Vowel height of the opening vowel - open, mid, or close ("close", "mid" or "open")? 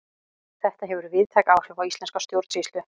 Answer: mid